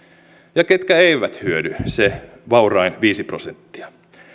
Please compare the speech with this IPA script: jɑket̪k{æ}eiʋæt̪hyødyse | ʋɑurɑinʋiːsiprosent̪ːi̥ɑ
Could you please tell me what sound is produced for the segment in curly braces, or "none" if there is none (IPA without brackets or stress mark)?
æ